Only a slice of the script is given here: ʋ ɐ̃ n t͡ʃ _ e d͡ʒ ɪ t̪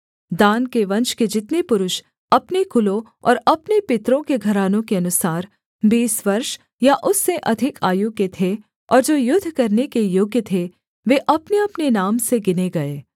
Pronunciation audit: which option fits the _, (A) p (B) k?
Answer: B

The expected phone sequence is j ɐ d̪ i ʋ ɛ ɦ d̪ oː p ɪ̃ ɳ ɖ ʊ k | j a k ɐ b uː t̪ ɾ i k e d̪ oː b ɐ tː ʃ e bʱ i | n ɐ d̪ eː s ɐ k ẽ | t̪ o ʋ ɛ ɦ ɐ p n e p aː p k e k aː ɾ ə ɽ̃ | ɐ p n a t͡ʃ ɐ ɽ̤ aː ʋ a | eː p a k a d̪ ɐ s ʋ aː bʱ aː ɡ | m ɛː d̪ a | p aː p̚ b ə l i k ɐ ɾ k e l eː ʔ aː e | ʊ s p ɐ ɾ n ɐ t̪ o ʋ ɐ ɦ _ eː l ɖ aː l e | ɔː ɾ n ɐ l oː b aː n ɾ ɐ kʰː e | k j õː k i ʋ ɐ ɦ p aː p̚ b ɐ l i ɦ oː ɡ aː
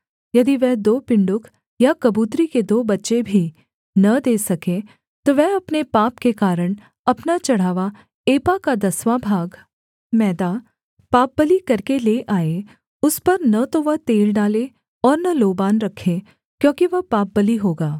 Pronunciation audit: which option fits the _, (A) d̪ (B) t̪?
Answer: B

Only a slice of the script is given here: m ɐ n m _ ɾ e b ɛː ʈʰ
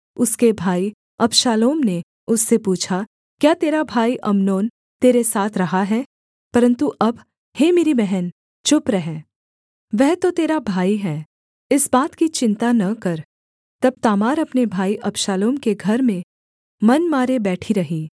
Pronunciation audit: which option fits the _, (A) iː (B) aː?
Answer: B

